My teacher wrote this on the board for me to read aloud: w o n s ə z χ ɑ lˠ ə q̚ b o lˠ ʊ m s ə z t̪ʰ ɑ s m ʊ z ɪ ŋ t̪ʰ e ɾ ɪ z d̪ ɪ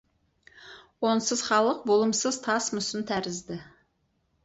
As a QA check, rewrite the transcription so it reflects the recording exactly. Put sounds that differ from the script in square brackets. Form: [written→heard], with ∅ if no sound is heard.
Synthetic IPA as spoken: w o n s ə z χ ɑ lˠ ə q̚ b o lˠ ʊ m s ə z t̪ʰ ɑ s m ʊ [z→s] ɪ [ŋ→n] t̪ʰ [e→æ] ɾ ɪ z d̪ ɪ

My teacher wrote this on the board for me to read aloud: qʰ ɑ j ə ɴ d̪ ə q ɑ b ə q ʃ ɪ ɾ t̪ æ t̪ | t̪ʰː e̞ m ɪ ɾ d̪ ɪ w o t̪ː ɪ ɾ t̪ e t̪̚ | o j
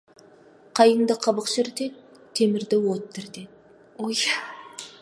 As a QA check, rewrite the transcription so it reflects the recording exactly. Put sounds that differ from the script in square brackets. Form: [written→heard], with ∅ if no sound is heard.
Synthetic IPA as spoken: qʰ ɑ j ə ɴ d̪ ə [q→qʰ] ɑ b ə q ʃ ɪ ɾ t̪ [æ→e] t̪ | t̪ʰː e̞ m ɪ ɾ d̪ ɪ w o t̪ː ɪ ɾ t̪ e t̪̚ | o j

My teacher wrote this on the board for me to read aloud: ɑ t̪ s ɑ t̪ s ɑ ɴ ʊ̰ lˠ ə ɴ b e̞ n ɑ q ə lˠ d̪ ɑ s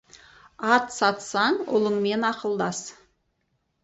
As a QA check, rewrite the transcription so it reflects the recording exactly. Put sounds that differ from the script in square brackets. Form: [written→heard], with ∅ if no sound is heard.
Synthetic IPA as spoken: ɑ t̪ s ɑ t̪ s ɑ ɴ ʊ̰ lˠ ə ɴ [b→m] e̞ n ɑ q ə lˠ d̪ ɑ s

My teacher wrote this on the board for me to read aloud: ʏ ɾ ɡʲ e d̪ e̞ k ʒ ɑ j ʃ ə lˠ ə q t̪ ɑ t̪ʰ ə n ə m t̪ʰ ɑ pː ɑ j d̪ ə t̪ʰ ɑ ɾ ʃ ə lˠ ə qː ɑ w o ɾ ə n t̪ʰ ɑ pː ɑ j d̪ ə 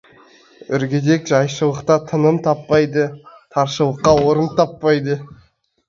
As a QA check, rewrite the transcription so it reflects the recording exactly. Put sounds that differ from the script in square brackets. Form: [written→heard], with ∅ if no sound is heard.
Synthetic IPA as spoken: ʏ ɾ ɡʲ e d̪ e̞ k ʒ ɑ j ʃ ə lˠ ə q t̪ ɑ t̪ʰ ə n ə m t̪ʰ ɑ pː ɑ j d̪ ə t̪ʰ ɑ ɾ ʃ ə lˠ ə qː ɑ w o ɾ ə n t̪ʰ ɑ pː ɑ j d̪ ə

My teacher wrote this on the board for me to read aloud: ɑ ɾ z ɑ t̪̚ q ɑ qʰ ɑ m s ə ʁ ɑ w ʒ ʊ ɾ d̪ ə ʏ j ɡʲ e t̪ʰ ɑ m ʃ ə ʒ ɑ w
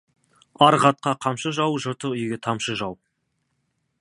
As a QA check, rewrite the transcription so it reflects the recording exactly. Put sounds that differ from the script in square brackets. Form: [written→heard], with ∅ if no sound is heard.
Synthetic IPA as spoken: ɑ ɾ [z→ʁ] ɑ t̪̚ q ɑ qʰ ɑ m [s→ʃ] ə [ʁ→ʒ] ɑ w ʒ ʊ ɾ [d̪→t̪] ə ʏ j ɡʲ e t̪ʰ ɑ m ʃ ə ʒ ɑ w

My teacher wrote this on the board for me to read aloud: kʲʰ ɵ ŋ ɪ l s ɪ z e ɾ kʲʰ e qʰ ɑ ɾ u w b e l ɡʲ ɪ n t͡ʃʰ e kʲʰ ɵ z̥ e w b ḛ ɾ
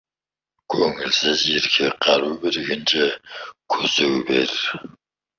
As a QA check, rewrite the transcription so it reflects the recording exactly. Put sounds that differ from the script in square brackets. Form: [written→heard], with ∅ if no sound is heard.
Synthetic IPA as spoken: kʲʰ ɵ ŋ ɪ l s ɪ z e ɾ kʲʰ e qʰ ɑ ɾ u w b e [l→ɾ] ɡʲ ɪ n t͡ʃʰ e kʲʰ ɵ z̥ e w b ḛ ɾ

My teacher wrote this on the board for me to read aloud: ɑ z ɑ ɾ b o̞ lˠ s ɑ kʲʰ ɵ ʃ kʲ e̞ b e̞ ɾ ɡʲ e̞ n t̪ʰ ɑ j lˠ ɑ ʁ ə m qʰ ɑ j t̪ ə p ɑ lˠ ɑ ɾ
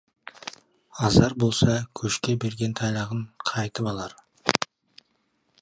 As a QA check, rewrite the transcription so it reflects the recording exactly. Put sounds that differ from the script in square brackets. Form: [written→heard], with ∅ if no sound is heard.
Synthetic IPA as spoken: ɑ z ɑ ɾ b o̞ lˠ s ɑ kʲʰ ɵ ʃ kʲ e̞ b e̞ ɾ ɡʲ e̞ n t̪ʰ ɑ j lˠ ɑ ʁ ə [m→ɴ] qʰ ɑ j t̪ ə p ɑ lˠ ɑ ɾ

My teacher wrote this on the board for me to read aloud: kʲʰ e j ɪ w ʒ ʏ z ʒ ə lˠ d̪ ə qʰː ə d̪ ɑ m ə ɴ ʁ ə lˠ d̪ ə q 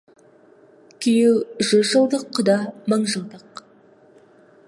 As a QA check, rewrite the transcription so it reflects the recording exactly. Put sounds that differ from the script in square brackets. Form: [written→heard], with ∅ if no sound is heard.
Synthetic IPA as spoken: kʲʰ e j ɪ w ʒ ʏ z ʒ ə lˠ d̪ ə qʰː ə d̪ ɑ m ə ɴ [ʁ→ʒ] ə lˠ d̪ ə q

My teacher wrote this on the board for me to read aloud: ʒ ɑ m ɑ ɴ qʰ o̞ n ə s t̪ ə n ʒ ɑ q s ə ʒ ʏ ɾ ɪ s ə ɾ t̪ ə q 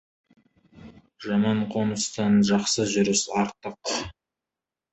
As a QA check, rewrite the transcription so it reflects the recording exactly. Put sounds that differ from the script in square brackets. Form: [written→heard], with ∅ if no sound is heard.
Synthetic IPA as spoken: ʒ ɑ m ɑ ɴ qʰ o̞ n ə s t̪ [ə→ɑ] n ʒ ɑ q s ə ʒ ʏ ɾ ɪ s [ə→ɑ] ɾ t̪ ə q

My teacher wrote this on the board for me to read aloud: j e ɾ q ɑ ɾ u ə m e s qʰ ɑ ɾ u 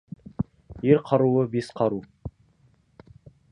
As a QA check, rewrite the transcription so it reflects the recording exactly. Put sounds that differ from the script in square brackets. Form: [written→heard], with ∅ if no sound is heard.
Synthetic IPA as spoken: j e ɾ [q→qʰ] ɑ ɾ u ə [m→b] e s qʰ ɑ ɾ u

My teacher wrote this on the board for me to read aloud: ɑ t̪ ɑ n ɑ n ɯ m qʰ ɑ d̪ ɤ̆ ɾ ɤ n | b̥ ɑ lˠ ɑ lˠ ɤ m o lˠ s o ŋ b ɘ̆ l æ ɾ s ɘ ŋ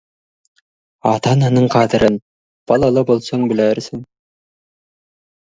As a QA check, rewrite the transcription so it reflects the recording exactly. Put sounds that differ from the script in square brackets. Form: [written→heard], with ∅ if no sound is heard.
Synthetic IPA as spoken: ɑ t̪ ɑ n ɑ n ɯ [m→ɴ] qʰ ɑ d̪ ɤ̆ ɾ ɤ n | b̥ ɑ lˠ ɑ lˠ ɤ [m→b] o lˠ s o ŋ b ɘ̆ l æ ɾ s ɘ ŋ

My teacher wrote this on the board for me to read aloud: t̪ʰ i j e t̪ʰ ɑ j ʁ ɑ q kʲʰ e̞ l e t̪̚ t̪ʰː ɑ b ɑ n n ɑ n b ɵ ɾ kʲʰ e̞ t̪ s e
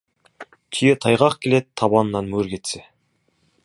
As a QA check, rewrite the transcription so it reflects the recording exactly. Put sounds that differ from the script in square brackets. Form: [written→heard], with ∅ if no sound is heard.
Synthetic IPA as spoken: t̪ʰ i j e t̪ʰ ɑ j ʁ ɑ q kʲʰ e̞ l e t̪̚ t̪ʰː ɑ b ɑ n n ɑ n [b→m] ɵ ɾ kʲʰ e̞ t̪ s e

